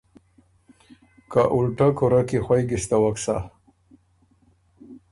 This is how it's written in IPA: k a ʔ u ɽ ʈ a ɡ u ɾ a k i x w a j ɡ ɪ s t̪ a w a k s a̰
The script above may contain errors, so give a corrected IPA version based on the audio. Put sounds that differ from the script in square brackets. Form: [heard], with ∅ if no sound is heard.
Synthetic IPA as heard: k a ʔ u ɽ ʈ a [k] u ɾ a k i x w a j ɡ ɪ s t̪ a w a k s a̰